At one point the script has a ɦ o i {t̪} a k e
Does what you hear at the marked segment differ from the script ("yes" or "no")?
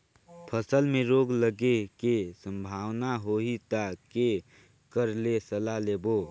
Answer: no